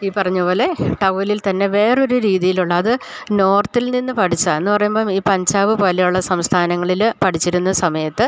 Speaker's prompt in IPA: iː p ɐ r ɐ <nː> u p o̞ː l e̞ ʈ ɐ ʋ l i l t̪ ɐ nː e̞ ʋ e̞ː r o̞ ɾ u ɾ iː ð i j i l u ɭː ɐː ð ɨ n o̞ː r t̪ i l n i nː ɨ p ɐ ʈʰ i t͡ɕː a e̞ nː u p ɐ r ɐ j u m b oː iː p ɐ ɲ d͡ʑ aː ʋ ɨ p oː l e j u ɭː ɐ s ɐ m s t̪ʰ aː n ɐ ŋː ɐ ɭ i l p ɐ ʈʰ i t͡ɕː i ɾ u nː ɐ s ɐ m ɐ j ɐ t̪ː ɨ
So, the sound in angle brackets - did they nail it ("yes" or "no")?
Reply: no